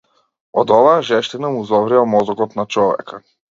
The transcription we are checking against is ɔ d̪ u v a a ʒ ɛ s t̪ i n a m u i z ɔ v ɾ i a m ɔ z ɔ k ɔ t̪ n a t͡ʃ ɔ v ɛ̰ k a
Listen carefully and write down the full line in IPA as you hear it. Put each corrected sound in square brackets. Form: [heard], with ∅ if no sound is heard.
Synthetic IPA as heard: ɔ d̪ [ɔ] v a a ʒ ɛ [ʃ] t̪ i n a m u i z ɔ v ɾ i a m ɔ z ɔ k ɔ t̪ n a t͡ʃ ɔ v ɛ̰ k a